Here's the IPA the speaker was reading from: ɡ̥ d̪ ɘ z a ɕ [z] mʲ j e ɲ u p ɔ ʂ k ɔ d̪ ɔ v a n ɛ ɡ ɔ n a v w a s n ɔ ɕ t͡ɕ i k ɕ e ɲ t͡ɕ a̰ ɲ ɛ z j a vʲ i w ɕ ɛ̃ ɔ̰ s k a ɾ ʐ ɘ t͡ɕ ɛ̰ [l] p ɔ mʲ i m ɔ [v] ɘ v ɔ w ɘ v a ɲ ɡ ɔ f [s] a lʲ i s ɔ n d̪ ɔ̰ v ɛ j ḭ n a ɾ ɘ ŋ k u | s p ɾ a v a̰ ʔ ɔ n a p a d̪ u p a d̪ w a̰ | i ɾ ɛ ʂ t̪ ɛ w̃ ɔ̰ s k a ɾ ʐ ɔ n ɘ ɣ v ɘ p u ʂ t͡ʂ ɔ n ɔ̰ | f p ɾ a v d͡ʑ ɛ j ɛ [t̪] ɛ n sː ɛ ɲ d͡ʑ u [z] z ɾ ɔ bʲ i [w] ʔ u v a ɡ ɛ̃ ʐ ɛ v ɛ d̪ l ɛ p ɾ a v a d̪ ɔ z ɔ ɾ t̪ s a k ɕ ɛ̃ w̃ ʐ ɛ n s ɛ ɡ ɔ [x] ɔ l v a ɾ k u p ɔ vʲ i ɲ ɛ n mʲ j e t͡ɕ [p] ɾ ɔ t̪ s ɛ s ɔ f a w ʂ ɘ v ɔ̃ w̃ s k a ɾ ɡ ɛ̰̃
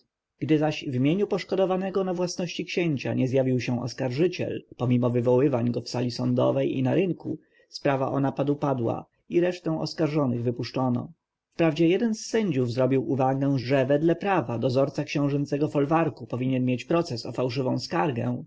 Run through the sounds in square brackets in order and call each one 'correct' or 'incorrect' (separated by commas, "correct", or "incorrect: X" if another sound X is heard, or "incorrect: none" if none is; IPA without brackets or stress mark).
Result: incorrect: v, correct, correct, correct, incorrect: d̪, incorrect: v, correct, incorrect: f, correct